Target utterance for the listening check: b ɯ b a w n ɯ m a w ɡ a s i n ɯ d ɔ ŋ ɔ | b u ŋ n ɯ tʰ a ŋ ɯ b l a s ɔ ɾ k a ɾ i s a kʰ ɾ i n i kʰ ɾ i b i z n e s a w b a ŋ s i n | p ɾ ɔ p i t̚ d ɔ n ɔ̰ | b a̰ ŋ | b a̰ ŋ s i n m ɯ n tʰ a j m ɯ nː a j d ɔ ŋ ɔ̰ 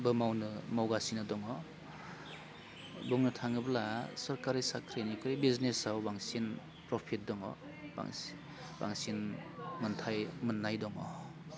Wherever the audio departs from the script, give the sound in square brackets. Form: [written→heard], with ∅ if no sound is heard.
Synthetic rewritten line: b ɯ [b→m] a w n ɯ m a w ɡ a s i n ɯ d ɔ ŋ ɔ | b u ŋ n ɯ tʰ a ŋ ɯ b l a s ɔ ɾ k a ɾ i s a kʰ ɾ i n i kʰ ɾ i b i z n e s a w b a ŋ s i n | p ɾ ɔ [p→pʰ] i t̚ d ɔ [n→ŋ] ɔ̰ | b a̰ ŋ | b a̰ ŋ s i n m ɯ n tʰ a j m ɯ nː a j d ɔ ŋ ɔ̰